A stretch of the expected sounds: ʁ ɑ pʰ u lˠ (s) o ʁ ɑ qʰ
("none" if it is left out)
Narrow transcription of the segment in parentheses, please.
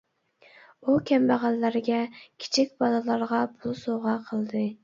s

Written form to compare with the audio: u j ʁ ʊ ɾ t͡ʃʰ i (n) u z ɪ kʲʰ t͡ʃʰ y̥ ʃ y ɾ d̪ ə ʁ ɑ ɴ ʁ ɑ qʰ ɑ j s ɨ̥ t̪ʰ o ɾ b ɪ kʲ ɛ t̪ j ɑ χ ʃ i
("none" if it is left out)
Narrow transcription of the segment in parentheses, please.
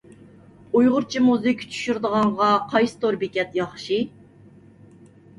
m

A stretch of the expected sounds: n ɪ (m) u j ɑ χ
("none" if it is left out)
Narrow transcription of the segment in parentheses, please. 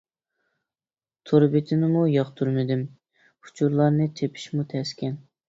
m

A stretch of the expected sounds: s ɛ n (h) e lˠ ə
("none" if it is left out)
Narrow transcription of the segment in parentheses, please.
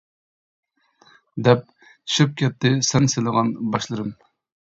s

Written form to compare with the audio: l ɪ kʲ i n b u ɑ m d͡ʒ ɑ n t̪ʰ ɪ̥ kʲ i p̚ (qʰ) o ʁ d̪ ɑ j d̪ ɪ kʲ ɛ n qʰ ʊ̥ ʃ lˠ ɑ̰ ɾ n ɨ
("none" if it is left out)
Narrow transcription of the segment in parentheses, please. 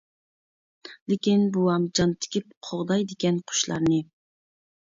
qʰ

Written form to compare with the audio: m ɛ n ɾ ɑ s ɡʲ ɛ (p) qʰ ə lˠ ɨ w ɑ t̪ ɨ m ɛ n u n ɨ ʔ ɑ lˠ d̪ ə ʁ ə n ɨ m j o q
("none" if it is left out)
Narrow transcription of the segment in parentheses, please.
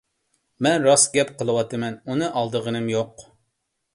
p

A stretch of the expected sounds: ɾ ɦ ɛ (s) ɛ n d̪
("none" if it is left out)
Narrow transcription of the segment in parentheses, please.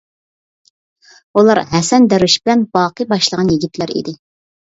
s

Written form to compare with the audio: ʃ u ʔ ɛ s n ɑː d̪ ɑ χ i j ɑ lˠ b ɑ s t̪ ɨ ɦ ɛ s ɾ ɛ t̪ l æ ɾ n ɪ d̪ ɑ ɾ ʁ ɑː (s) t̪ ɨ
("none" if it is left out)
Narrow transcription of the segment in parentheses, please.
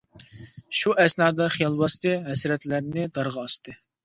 s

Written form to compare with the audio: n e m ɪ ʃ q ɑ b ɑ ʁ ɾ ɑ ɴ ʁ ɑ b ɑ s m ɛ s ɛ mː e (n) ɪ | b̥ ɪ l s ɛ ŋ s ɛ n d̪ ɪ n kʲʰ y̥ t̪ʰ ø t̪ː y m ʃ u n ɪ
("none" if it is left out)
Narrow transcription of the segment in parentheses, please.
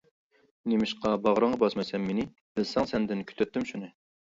n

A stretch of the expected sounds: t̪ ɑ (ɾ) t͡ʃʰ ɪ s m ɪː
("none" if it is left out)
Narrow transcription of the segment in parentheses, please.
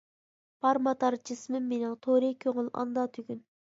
ɾ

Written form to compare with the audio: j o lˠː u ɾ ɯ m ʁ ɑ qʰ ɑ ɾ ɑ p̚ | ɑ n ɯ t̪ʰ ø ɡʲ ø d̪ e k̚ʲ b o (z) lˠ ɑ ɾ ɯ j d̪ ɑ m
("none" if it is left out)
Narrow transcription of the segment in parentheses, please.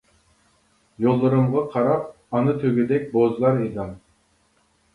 z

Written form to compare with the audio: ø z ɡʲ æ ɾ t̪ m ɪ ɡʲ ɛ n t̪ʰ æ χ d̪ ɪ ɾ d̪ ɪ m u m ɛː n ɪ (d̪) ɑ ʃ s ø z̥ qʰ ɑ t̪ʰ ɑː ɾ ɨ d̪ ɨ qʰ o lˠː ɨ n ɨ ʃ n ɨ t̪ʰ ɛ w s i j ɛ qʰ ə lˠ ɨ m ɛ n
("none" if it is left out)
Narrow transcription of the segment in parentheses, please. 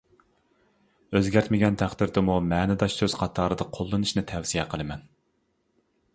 d̪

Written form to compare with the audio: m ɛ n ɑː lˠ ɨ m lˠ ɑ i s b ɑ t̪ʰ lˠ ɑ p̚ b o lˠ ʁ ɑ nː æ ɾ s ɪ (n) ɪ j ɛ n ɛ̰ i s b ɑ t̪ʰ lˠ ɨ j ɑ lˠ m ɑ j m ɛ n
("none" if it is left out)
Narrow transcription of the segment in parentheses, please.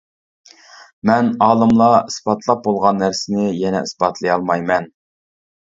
n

